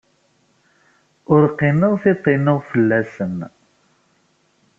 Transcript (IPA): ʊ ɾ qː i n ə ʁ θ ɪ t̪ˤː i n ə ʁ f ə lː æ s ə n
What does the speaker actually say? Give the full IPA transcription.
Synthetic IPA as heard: ʊ ɾ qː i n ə ʁ θ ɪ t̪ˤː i n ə ʁ f ə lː æ s ə n